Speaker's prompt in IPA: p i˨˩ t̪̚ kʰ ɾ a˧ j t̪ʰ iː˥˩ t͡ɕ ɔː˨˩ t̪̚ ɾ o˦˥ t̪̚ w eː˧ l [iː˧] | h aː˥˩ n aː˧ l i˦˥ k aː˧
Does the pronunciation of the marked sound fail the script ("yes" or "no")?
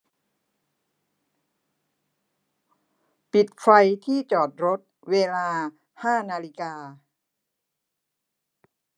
yes